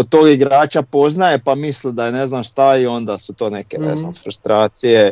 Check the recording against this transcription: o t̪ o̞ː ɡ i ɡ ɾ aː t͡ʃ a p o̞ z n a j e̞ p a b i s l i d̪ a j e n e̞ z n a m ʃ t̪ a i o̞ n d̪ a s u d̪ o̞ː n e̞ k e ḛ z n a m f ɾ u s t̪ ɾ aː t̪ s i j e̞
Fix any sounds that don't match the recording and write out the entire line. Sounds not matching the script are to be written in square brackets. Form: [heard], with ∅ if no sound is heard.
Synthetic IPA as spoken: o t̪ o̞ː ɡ i ɡ ɾ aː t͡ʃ a p o̞ z n a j e̞ p a [m] i s l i d̪ a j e n e̞ z n a m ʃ t̪ a i o̞ n d̪ a s u [t̪] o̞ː n e̞ k e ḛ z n a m f ɾ u s t̪ ɾ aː t̪ s i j e̞